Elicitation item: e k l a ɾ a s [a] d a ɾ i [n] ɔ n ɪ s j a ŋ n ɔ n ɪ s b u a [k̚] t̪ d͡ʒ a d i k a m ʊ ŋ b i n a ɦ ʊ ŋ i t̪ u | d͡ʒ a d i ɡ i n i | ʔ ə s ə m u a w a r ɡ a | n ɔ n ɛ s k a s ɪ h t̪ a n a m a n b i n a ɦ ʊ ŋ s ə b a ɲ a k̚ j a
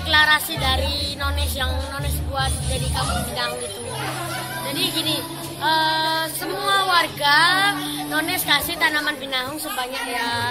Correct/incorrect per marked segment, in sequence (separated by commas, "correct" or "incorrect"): incorrect, correct, incorrect